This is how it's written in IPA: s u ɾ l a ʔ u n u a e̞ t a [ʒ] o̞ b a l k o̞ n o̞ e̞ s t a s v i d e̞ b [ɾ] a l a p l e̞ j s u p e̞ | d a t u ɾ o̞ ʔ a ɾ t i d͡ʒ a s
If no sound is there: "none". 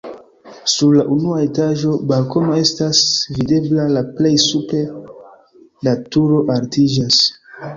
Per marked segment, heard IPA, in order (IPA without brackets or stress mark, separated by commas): ʒ, l